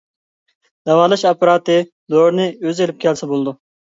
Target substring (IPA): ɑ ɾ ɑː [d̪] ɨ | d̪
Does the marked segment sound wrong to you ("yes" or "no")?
yes